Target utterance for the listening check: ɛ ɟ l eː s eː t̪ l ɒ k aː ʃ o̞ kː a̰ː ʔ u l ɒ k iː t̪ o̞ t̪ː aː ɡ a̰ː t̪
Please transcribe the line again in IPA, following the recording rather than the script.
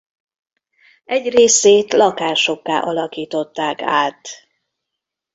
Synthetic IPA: ɛ ɟ r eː s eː t̪ l ɒ k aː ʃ o̞ kː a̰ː ʔ ɒ l ɒ k iː t̪ o̞ t̪ː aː k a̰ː t̪